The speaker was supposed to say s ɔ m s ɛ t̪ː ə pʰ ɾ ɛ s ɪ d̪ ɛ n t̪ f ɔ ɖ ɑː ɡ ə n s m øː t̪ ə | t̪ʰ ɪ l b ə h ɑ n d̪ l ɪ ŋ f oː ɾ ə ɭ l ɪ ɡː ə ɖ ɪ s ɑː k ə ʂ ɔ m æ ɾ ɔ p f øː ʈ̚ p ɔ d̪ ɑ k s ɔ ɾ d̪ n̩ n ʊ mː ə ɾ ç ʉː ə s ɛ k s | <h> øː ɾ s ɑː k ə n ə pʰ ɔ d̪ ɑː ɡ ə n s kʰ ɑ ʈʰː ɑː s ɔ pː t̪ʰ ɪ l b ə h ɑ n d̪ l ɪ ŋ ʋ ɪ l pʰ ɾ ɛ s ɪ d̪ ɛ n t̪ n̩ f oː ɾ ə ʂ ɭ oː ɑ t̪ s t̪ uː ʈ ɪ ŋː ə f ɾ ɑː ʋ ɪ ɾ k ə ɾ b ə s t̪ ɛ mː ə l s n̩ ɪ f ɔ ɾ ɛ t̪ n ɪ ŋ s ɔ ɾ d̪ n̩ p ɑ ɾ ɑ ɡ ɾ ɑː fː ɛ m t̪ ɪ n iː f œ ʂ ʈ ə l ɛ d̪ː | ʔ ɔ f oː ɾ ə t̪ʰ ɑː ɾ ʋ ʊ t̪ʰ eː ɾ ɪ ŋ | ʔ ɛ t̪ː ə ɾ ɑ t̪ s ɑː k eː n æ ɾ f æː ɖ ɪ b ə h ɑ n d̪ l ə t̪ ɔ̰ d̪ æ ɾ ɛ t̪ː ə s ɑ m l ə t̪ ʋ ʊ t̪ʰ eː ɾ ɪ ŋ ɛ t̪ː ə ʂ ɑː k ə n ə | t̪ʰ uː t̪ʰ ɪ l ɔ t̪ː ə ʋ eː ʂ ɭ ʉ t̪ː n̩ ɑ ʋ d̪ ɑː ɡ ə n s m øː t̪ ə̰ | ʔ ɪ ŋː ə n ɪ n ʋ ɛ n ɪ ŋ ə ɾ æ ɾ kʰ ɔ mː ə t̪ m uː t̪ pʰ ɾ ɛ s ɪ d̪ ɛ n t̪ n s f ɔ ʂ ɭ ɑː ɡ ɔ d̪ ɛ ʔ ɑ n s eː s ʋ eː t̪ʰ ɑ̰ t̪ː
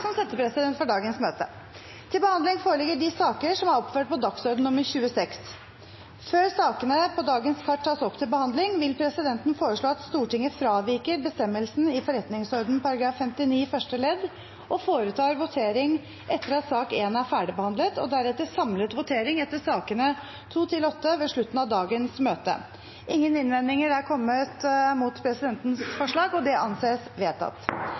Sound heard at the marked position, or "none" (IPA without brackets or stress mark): f